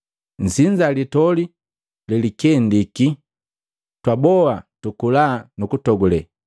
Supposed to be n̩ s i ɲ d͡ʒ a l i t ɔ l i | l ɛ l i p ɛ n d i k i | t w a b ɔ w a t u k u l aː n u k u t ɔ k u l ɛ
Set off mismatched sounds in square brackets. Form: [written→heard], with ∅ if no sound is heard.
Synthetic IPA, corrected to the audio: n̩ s i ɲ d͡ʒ a l i t ɔ l i | l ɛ l i [p→k] ɛ n d i k i | t w a b ɔ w a t u k u l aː n u k u t ɔ [k→ɡ] u l ɛ